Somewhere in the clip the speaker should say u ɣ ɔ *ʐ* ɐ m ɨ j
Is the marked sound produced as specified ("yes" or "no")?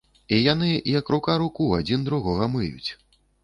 no